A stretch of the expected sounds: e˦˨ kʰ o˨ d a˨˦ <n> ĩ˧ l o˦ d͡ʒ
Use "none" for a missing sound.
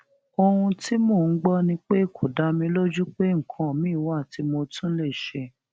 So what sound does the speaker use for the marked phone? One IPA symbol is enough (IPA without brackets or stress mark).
m